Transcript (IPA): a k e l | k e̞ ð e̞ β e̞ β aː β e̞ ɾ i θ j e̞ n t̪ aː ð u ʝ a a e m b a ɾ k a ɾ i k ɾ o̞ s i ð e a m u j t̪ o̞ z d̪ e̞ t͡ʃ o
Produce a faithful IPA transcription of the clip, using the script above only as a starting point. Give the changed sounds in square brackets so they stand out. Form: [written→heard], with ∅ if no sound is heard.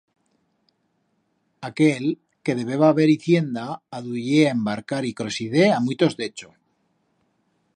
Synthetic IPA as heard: a k e l | k e̞ ð e̞ β e̞ β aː β e̞ ɾ i θ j e̞ n [t̪→d̪] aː ð u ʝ [a→e] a e m b a ɾ k a ɾ i k ɾ o̞ s i ð e a m u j t̪ o̞ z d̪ e̞ t͡ʃ o